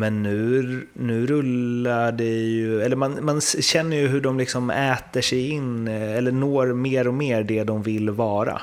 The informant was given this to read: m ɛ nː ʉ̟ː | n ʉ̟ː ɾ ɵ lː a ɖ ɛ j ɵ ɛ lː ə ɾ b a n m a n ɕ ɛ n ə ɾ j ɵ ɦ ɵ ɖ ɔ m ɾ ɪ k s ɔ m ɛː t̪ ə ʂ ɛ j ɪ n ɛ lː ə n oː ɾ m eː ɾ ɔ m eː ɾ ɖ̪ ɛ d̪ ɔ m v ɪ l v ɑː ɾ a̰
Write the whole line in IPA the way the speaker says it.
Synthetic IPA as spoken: m ɛ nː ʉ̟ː | n ʉ̟ː ɾ ɵ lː a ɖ ɛ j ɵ ɛ lː ə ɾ m a n m a n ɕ ɛ nː ə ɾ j ɵ ɦ ɵ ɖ ɔ m l ɪ k s ɔ m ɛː t̪ ə ʂ ɛ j ɪ n ɛ lː ə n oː ɾ m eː ɾ ɔ m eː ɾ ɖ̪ ɛ d̪ ɔ m v ɪ l v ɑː ɾ a̰